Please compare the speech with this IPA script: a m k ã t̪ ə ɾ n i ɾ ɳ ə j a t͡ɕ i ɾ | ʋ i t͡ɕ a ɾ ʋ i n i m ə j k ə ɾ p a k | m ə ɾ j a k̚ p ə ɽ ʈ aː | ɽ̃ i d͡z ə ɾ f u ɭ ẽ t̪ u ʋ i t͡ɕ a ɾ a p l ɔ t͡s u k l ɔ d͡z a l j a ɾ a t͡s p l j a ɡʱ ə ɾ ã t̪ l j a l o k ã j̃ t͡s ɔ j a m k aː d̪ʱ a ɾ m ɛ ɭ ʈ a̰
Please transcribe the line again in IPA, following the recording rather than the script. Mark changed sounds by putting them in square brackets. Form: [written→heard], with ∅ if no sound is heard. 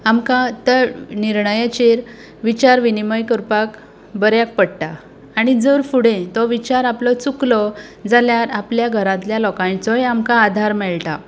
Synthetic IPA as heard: a m k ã t̪ ə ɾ n i ɾ ɳ ə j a t͡ɕ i ɾ | ʋ i t͡ɕ a ɾ ʋ i n i m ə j k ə ɾ p a k | [m→b] ə ɾ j a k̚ p ə ɽ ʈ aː | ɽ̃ i d͡z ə ɾ f u [ɭ→ɽ] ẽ t̪ [u→ɔ] ʋ i t͡ɕ a ɾ a p l ɔ t͡s u k l ɔ d͡z a l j a ɾ a [t͡s→∅] p l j a ɡʱ ə ɾ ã t̪ l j a l [o→ɔ] k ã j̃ t͡s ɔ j a m k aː d̪ʱ a ɾ m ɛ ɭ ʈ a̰